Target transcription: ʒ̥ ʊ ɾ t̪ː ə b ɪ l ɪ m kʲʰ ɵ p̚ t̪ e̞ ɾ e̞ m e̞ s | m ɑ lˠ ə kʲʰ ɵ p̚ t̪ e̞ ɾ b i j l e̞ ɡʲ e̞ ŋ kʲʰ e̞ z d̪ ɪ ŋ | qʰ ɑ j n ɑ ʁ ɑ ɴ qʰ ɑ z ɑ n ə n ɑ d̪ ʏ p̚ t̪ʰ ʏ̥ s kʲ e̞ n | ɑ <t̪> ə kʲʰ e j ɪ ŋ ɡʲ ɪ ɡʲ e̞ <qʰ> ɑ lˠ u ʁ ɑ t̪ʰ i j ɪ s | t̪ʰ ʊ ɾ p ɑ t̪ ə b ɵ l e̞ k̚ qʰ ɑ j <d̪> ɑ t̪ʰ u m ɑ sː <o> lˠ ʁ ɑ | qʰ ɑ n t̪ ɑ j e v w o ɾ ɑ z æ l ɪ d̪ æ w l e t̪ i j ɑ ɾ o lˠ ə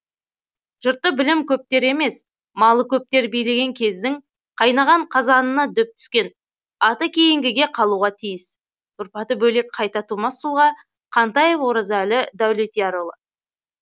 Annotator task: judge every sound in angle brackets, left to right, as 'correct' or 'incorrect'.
correct, correct, incorrect: t̪, incorrect: u

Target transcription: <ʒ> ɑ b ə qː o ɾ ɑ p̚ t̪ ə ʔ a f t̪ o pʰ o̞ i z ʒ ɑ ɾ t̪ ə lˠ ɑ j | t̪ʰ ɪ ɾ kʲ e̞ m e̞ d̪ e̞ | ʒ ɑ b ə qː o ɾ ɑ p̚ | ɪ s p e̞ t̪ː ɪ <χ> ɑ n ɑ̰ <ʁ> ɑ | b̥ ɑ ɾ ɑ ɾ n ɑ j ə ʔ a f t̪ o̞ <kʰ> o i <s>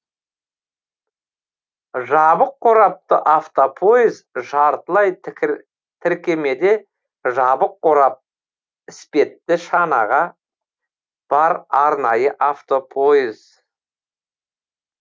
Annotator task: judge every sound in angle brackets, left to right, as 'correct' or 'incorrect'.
correct, incorrect: ʃ, correct, incorrect: pʰ, incorrect: z

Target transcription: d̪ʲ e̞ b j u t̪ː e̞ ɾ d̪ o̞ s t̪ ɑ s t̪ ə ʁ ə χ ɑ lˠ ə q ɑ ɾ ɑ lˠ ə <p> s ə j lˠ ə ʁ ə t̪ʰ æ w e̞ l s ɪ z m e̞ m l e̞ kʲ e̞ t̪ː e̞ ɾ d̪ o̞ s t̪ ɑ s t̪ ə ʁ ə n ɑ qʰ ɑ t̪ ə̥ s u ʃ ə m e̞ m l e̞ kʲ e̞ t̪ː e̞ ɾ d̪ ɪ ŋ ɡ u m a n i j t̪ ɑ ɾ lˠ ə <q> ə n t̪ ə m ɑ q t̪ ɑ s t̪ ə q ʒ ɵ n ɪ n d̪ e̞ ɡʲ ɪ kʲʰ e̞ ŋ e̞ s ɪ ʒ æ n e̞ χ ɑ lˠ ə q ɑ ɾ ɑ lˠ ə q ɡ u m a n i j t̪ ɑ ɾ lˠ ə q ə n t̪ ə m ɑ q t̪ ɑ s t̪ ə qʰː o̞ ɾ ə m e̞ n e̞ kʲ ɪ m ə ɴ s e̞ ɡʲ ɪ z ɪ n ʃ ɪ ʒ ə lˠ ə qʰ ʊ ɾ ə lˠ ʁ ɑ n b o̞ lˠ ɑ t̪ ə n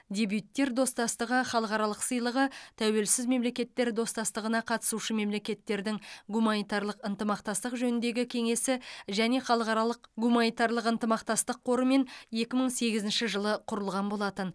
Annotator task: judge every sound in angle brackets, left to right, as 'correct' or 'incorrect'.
incorrect: q, correct

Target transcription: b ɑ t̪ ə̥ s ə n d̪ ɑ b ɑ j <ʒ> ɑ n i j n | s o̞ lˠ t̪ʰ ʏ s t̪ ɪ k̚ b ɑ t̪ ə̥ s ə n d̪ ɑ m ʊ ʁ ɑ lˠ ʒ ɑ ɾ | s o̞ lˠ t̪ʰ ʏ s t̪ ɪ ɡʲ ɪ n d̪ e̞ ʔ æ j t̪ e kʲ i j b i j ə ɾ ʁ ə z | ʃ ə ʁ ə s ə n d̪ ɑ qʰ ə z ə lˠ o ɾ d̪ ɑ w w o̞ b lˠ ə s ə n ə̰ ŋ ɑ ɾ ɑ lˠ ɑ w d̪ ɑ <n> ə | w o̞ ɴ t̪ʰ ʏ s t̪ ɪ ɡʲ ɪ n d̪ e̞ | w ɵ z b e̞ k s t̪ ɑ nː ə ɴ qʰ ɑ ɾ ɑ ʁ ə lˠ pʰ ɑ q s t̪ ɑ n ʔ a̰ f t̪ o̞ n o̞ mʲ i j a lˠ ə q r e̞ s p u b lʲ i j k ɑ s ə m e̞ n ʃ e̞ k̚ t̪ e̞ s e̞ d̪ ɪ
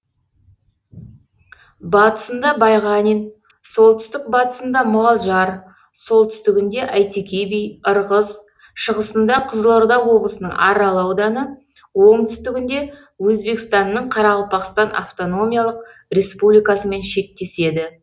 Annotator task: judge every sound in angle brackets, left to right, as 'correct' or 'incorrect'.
incorrect: ʁ, correct

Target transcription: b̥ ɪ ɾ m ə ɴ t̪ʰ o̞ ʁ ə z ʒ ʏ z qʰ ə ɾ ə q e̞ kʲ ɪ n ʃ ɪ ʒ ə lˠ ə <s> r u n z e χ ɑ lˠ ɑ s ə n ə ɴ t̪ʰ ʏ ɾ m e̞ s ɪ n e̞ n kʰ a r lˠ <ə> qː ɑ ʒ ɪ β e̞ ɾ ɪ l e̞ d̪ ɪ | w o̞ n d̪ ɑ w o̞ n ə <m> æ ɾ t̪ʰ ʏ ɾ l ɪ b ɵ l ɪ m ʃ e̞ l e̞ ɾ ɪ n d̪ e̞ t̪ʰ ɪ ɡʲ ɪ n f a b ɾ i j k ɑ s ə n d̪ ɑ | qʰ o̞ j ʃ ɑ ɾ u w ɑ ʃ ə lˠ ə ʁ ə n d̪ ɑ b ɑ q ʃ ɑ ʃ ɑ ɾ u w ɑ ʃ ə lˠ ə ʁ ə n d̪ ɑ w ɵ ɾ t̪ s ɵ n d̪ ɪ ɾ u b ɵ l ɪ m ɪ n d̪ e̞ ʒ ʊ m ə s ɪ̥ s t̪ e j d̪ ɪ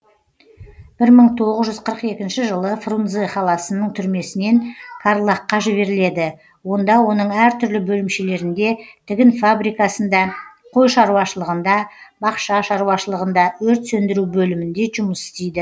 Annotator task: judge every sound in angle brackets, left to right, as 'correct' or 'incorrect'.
incorrect: f, incorrect: ɑ, incorrect: ɴ

